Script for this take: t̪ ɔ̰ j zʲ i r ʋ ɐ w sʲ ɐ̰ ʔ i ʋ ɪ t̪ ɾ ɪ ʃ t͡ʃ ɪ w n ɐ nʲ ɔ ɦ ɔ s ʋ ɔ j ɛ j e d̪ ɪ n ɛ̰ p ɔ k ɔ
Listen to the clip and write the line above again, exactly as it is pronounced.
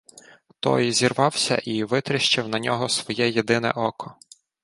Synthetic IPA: t̪ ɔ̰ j zʲ i r ʋ ɑ w sʲ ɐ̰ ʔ i ʋ ɪ t̪ ɾ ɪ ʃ t͡ʃ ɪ w n ɐ nʲ ɔ ɦ ɔ s ʋ ɔ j ɛ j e d̪ ɪ n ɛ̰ ʔ ɔ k ɔ